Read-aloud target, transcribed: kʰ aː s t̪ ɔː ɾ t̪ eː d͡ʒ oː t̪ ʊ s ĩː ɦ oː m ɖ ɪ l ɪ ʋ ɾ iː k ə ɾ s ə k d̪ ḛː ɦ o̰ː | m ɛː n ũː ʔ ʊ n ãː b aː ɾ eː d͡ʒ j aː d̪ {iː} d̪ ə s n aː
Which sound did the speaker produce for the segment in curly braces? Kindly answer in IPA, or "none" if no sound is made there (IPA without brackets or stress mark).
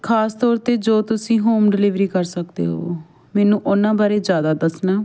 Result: aː